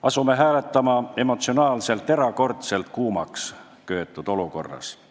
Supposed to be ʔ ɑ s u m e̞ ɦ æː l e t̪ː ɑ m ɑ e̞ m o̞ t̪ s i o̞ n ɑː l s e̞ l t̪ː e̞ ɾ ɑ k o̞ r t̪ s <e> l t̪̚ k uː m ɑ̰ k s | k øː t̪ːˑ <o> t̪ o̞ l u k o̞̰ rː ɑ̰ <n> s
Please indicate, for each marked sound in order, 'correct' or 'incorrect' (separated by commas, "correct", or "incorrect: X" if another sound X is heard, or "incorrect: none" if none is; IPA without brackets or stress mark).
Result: correct, incorrect: u, incorrect: none